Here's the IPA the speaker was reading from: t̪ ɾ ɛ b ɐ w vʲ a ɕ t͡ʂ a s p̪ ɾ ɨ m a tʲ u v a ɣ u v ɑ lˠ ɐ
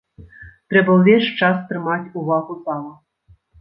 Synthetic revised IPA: t̪ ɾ ɛ b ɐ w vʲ e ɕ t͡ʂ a s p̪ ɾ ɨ m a tʲ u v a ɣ u z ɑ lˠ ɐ